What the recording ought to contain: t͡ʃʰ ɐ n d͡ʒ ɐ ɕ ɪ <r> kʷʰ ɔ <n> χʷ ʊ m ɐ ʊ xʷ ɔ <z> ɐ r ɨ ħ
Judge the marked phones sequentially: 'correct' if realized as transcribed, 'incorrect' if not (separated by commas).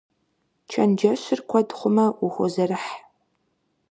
correct, incorrect, correct